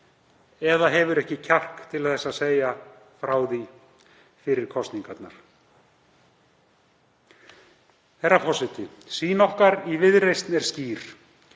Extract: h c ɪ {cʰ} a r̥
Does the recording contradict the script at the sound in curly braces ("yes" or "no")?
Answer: no